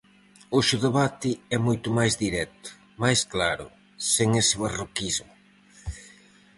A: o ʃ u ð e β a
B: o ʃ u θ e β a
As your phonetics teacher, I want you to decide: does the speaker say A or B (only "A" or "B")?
A